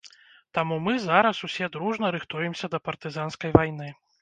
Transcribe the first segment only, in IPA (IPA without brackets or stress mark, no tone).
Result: t̪